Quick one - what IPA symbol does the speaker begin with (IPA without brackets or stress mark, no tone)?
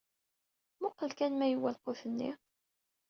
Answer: m